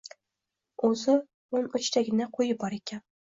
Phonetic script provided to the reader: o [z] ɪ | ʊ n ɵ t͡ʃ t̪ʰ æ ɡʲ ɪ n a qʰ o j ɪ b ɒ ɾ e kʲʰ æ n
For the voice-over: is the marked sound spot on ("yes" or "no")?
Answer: yes